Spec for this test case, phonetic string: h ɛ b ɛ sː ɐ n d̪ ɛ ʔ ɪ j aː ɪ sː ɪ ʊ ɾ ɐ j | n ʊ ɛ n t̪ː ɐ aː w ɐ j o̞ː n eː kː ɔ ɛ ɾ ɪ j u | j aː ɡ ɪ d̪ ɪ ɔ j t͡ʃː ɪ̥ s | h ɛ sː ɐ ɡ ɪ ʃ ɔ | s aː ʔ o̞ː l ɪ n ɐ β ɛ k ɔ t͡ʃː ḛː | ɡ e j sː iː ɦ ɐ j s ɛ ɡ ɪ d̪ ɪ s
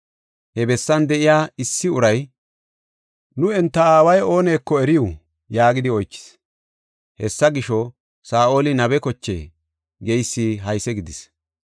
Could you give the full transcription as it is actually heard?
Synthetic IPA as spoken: h ɛ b ɛ sː ɐ n d̪ ɛ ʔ ɪ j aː ɪ sː ɪ ʊ ɾ ɐ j | n ʊ ɛ n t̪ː ɐ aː w ɐ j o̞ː n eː kː ɔ ɛ ɾ ɪ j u | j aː ɡ ɪ d̪ ɪ ɔ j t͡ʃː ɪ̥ s | h ɛ sː ɐ ɡ ɪ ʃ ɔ | s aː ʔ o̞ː l ɪ n ɐ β ɛ k ɔ t͡ʃː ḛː | ɡ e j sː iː ɦ ɐ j s ɛ ɡ ɪ d̪ ɪ s